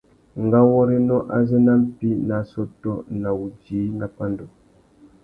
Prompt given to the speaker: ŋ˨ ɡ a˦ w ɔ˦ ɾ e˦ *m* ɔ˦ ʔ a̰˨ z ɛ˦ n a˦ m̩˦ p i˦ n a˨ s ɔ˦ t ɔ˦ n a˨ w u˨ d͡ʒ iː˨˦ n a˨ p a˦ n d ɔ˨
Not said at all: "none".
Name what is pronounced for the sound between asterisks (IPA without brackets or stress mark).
n